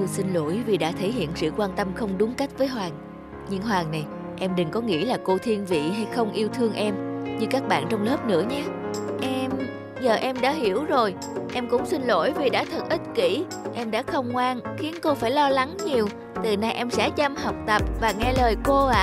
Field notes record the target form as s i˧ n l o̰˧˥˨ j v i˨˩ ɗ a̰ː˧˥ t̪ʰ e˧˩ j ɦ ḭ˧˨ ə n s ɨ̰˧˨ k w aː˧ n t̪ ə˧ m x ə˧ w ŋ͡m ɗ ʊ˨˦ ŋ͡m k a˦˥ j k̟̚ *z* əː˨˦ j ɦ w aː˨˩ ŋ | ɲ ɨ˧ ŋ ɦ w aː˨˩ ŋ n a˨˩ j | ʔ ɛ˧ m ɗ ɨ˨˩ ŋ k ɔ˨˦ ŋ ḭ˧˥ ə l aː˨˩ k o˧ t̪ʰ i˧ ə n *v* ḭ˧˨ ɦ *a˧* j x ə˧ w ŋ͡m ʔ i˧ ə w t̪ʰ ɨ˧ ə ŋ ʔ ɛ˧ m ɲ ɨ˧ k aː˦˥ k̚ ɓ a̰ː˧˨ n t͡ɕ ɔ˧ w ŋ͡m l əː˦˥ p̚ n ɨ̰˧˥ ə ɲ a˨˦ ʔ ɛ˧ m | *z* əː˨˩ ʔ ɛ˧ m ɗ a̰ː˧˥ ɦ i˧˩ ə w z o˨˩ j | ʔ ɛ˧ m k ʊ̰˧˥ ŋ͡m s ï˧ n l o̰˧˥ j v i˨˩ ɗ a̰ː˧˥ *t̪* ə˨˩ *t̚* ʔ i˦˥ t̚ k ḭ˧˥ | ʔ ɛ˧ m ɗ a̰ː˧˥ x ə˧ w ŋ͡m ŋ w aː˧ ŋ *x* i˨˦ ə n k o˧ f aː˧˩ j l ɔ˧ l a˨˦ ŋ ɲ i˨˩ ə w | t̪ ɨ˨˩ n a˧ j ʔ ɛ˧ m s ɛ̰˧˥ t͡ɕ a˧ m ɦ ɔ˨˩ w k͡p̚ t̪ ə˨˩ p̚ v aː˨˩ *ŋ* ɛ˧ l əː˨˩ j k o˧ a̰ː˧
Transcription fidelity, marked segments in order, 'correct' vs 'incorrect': incorrect: v, correct, correct, correct, incorrect: t̪ʰ, correct, correct, correct

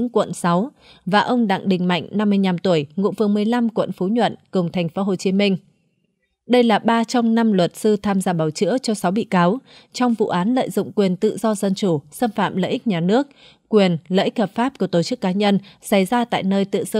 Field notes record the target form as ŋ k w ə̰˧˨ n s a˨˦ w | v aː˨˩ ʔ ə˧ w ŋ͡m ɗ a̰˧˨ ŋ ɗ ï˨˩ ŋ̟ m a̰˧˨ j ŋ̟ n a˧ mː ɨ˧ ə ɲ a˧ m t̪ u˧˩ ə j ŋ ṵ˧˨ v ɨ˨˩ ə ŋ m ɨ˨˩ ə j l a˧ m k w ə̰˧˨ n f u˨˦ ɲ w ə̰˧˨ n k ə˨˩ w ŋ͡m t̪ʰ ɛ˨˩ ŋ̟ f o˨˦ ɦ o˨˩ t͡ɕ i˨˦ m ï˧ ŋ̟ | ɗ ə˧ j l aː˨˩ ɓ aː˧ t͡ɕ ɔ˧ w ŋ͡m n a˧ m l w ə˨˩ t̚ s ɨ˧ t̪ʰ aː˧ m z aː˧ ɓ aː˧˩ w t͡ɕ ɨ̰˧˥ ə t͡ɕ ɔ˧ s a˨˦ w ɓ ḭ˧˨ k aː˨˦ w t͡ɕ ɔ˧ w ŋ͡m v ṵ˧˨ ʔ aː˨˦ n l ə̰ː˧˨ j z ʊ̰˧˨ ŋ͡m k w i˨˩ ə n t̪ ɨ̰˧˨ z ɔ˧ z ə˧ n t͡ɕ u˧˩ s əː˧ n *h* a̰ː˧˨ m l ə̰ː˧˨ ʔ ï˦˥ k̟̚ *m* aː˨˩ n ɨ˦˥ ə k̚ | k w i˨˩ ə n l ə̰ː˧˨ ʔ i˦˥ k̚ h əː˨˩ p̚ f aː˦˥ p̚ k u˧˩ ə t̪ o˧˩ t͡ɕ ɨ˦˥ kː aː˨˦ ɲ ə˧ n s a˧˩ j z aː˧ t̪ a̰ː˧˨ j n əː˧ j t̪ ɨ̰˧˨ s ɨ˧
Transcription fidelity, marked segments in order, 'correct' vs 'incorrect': incorrect: f, incorrect: ɲ

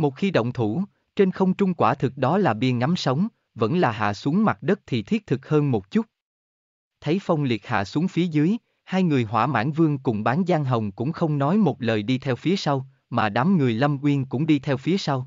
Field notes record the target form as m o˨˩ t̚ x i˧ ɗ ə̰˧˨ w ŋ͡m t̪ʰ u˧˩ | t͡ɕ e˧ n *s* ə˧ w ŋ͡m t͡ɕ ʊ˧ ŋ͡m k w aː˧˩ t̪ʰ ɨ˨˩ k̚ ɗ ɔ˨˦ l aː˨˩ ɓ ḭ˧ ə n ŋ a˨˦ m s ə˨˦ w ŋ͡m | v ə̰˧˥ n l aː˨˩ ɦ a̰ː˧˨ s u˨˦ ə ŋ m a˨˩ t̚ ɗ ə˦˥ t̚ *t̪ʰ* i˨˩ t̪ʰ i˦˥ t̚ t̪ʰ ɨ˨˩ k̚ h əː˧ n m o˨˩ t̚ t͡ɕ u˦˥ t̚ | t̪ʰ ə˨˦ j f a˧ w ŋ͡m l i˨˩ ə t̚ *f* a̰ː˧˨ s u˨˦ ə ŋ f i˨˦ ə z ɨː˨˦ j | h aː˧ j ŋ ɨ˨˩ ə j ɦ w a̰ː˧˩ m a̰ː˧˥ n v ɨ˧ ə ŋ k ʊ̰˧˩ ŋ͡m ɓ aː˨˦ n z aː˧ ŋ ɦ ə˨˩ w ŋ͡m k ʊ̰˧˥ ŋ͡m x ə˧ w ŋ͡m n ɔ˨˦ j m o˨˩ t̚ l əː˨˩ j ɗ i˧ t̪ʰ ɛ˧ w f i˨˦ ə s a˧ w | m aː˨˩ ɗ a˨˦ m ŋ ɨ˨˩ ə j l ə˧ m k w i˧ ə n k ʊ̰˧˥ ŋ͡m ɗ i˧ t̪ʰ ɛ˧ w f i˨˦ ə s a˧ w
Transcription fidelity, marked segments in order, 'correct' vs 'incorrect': incorrect: x, correct, incorrect: h

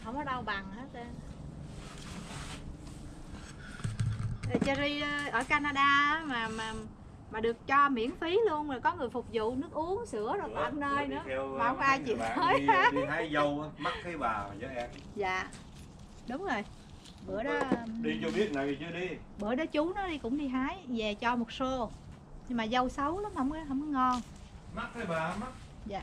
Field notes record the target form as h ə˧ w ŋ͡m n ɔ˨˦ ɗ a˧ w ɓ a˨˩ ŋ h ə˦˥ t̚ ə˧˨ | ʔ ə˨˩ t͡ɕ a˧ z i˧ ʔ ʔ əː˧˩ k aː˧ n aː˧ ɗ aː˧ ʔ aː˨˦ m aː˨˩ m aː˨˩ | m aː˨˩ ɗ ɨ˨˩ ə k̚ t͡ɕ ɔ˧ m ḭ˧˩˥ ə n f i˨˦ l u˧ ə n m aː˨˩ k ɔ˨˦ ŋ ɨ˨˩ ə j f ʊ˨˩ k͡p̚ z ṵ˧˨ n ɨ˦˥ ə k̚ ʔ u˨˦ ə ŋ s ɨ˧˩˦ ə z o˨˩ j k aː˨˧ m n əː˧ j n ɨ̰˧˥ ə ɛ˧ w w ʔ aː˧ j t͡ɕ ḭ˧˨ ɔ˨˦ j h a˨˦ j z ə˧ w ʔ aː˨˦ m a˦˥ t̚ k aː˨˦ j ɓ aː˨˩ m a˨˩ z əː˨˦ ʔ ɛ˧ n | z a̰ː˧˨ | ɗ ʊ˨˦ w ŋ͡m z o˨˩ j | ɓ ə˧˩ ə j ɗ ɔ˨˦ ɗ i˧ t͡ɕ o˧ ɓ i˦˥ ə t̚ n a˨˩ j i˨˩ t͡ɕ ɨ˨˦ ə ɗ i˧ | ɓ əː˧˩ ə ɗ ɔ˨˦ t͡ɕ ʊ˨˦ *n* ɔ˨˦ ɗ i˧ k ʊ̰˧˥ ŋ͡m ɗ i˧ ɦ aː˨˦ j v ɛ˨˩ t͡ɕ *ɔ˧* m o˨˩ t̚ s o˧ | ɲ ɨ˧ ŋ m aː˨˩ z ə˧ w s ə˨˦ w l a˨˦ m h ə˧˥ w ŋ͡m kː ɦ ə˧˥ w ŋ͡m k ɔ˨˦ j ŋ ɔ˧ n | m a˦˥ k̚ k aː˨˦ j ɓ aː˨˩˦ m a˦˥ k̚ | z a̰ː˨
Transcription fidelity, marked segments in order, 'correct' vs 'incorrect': correct, correct

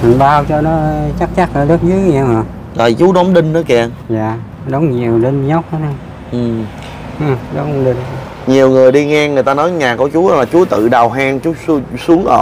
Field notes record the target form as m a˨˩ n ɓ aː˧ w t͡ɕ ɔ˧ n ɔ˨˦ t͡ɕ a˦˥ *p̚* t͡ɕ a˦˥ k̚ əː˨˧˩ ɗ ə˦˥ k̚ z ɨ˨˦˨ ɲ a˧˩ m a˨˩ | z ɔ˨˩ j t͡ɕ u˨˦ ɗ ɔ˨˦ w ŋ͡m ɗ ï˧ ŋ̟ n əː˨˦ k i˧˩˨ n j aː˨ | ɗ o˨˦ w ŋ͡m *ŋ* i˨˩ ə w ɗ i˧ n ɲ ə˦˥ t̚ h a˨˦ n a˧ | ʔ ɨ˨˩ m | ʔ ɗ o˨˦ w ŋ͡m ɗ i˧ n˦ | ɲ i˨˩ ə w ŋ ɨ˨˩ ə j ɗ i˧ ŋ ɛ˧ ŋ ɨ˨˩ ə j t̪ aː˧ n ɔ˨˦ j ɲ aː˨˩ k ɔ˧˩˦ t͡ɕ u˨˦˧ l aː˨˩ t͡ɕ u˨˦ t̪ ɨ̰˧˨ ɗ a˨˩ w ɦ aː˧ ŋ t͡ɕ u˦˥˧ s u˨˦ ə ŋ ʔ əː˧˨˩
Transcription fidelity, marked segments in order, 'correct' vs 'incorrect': incorrect: k̚, incorrect: ɲ

